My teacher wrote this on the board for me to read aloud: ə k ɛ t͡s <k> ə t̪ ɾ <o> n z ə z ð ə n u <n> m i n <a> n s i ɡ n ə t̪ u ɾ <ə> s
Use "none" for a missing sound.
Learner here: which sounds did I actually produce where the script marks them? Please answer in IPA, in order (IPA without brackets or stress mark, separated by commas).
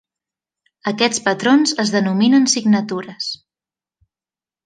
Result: p, o, none, ə, ə